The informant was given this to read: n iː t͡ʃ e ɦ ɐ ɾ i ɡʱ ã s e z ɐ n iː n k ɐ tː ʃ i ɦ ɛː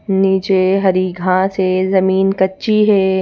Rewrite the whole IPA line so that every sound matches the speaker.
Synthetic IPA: n iː t͡ʃ e ɦ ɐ ɾ i ɡʱ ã s e z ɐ m iː n k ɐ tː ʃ i ɦ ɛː